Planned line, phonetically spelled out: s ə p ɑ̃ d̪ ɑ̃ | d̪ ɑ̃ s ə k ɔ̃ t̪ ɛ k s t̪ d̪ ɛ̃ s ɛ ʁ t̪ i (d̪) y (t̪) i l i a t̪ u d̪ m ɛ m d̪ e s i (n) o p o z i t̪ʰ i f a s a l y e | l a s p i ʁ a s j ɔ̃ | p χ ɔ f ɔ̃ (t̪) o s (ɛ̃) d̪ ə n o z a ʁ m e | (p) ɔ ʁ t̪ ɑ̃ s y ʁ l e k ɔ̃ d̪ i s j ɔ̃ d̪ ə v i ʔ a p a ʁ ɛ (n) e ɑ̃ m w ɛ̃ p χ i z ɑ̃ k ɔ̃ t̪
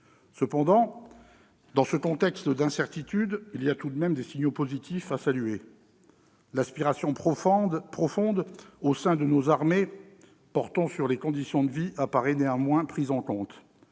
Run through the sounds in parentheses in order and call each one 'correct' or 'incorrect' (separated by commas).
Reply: incorrect, incorrect, incorrect, incorrect, correct, correct, correct